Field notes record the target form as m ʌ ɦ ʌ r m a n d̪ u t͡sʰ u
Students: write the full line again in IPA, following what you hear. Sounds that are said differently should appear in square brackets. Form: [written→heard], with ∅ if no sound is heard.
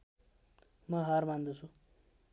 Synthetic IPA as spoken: m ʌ ɦ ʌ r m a n d̪ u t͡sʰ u